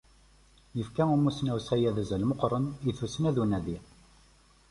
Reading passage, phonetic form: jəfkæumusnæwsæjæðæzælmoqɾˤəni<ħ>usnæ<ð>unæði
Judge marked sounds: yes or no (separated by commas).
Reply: no, yes